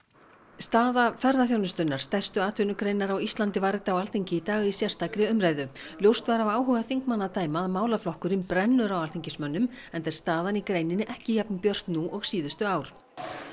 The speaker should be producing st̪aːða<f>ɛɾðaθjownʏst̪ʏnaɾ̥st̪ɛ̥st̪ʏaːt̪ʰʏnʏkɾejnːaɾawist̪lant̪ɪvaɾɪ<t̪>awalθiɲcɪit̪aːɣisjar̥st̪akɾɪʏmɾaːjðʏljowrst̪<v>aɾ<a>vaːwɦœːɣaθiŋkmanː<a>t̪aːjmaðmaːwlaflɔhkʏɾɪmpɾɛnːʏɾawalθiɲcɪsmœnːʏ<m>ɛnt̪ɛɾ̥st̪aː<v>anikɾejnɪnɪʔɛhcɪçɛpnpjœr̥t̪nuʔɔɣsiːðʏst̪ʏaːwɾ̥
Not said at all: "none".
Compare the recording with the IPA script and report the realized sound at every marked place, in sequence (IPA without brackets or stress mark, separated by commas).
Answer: f, t̪, v, a, a, m, ð